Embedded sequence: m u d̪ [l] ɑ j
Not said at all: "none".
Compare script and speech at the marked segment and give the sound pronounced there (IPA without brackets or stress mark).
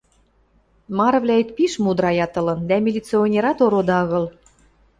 ɾ